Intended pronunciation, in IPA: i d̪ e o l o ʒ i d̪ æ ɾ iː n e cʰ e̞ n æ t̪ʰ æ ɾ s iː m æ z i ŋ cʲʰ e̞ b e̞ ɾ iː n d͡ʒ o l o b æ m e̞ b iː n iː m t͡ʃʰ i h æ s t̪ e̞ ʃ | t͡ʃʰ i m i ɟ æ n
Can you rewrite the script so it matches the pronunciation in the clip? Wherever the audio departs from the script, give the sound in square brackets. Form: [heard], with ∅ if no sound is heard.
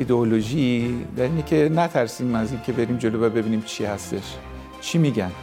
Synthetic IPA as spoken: i d̪ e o l o ʒ i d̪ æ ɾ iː n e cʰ e̞ n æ t̪ʰ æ ɾ s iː m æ z i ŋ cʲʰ e̞ b e̞ ɾ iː [m] d͡ʒ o l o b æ [b] e̞ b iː n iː m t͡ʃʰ i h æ s t̪ e̞ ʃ | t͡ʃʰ i m i ɟ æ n